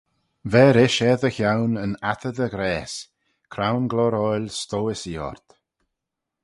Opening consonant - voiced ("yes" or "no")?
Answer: yes